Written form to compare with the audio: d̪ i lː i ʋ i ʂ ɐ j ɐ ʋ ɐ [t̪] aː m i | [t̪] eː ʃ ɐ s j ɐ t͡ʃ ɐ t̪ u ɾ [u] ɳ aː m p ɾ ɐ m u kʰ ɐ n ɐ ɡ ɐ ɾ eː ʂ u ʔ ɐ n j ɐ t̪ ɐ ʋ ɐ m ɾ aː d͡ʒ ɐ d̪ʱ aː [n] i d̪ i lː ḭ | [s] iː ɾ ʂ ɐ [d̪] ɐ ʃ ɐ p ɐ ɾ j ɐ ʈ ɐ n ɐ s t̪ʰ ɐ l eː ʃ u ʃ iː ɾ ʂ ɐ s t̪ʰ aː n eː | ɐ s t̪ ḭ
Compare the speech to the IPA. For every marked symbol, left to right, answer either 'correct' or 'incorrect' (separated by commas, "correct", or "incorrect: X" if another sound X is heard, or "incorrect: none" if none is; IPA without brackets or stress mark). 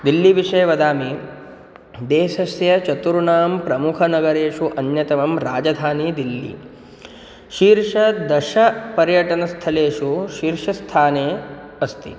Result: incorrect: d̪, incorrect: d̪, correct, correct, incorrect: ʃ, correct